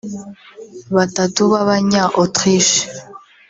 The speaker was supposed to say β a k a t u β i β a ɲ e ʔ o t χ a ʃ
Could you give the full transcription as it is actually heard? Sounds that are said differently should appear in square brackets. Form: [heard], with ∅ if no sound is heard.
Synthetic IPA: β a [t] a t u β [a] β a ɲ [a] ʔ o t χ [i] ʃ

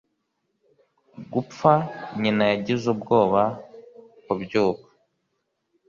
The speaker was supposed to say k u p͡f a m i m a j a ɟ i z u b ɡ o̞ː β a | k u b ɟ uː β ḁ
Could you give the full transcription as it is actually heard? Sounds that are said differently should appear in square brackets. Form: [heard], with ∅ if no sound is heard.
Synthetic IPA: [ɡ] u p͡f a [ɲ] i [n] a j a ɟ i z u b ɡ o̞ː β a | k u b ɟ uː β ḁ

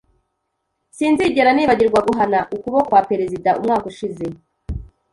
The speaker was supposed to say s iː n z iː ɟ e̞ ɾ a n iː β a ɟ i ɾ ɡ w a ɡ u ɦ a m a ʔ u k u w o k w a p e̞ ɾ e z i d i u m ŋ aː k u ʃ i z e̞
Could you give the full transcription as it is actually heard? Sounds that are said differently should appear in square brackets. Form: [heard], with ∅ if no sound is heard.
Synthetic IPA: s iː n z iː ɟ e̞ ɾ a n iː β a ɟ i ɾ ɡ w a ɡ u ɦ a [n] a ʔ u k u [β] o k w a p e̞ ɾ e z i d [a] u m ŋ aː k u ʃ i z e̞

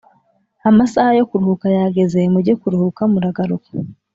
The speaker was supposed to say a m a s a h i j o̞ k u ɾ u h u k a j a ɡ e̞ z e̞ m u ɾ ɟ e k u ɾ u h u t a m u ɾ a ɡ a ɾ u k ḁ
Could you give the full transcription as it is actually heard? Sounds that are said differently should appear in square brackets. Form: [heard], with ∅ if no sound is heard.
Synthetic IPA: a m a s a h [a] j o̞ k u ɾ u h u k a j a ɡ e̞ z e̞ m u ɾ ɟ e k u ɾ u h u [k] a m u ɾ a ɡ a ɾ u k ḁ

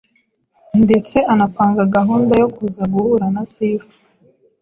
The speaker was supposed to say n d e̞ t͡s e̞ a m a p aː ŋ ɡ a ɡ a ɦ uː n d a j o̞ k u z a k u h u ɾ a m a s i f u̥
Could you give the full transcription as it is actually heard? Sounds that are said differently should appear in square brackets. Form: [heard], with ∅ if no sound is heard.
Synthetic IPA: n d e̞ t͡s e̞ a [n] a p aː ŋ ɡ a ɡ a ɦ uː n d a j o̞ k u z a [ɡ] u h u ɾ a [n] a s i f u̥

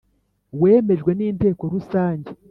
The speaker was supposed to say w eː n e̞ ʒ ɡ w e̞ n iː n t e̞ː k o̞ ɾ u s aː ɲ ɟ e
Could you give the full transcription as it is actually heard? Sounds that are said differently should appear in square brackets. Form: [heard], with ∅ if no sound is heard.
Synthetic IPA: w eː [m] e̞ ʒ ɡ w e̞ n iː n t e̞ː k o̞ ɾ u s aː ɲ ɟ e

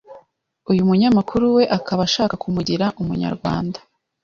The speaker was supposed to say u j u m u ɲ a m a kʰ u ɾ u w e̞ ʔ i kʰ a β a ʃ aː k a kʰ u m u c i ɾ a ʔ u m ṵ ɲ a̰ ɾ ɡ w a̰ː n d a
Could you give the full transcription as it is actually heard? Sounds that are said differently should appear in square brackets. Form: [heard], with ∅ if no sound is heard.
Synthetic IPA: u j u m u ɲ a m a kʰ u ɾ u w e̞ ʔ [a] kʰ a β a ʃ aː k a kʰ u m u [ɟ] i ɾ a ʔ u m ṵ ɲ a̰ ɾ ɡ w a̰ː n d a

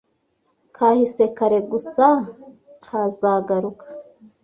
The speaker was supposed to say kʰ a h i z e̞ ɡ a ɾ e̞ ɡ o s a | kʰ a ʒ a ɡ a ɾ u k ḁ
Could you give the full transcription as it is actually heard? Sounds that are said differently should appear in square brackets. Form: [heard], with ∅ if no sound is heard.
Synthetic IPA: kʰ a h i [s] e̞ [k] a ɾ e̞ ɡ [u] s a | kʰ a [z] a ɡ a ɾ u k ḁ

